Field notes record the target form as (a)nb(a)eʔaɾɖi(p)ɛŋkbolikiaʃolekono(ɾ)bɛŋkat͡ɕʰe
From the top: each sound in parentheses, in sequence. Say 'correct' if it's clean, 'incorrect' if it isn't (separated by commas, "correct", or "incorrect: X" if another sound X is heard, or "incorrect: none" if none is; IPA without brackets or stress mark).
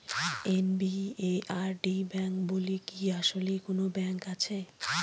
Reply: incorrect: e, incorrect: i, incorrect: b, incorrect: none